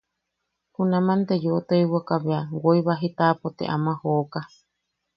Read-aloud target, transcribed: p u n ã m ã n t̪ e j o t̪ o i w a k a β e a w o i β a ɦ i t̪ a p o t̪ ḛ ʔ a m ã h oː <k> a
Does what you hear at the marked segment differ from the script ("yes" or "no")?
no